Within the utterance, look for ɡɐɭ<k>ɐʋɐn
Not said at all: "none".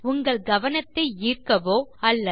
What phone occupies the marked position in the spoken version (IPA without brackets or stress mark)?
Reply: ɡ